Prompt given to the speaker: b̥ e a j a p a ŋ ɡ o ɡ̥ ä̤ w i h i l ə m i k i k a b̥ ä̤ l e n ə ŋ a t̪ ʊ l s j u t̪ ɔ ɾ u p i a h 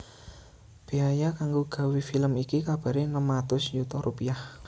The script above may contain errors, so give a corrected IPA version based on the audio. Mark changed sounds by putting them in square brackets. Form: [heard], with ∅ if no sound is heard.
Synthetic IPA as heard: b̥ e a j a [k] a ŋ ɡ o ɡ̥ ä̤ w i [f] i l ə m i k i k a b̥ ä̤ [ɾ] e n ə [m] a t̪ ʊ [∅] s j u t̪ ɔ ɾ u p i a h